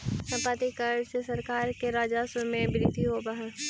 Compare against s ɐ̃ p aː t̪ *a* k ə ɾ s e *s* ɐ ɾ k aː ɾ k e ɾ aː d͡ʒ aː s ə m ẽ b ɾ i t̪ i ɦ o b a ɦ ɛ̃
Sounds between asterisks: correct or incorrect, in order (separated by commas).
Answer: incorrect, correct